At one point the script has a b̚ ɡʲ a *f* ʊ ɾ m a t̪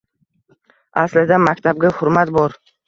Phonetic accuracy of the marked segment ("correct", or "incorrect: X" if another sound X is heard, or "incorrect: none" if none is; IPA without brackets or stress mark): incorrect: h